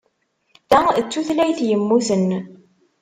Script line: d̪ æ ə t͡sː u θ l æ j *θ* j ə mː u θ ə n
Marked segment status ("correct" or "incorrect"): correct